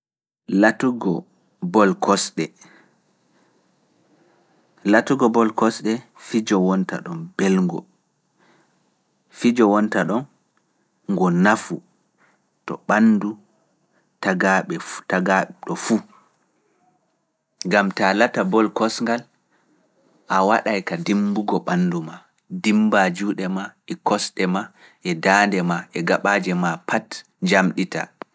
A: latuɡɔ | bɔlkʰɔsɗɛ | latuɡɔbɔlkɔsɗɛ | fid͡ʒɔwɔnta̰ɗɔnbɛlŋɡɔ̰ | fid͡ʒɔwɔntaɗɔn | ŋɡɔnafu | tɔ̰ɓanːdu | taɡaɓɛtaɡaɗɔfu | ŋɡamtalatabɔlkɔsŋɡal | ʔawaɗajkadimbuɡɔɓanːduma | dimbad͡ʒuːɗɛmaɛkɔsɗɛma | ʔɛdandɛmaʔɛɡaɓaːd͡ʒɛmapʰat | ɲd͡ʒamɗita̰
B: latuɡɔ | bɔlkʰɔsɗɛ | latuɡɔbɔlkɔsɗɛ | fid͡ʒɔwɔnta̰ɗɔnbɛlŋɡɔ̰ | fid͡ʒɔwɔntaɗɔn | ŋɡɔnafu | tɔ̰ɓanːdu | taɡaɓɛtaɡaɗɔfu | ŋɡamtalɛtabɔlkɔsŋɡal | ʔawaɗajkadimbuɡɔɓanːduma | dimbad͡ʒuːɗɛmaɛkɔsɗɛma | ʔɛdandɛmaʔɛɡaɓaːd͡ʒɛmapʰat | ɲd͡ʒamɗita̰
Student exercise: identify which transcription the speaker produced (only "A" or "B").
A